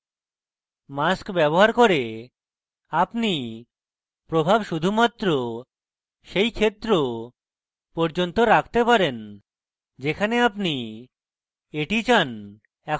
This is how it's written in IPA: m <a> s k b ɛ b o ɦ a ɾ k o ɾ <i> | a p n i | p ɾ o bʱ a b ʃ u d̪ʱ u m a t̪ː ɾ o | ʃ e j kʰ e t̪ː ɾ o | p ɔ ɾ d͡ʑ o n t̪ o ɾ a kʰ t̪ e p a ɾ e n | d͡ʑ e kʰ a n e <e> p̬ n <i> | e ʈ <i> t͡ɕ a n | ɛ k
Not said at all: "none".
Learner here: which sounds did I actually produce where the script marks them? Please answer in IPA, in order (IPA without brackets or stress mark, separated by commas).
a, e, a, i, i